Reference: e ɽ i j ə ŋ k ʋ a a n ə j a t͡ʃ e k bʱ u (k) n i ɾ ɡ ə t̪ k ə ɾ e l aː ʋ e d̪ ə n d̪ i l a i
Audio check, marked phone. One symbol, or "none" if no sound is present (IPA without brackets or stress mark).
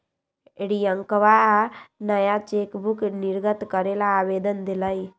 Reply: k